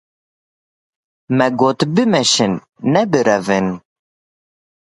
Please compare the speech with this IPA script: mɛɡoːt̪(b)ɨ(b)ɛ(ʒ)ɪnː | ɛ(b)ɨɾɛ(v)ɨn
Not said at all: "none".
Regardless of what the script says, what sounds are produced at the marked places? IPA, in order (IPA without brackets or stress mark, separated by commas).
b, m, ʃ, b, v